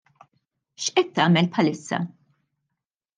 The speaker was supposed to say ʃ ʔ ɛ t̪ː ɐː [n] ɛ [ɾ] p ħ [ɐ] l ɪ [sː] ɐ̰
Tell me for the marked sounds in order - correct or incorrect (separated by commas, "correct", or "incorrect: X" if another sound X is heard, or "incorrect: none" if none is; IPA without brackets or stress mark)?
incorrect: m, incorrect: l, correct, correct